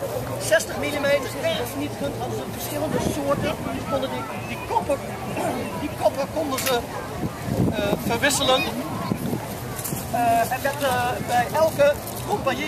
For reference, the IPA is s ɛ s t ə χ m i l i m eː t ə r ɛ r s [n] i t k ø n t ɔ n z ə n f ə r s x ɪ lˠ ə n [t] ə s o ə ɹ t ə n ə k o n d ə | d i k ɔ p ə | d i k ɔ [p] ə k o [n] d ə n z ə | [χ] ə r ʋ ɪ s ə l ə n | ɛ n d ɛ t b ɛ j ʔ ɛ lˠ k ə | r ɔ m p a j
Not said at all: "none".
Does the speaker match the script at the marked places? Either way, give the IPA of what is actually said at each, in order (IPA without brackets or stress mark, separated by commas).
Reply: n, d, p, n, f